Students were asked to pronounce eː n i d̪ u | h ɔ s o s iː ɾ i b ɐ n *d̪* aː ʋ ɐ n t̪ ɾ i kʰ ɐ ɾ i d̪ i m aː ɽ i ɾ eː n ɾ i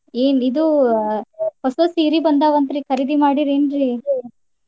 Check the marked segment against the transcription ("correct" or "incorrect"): correct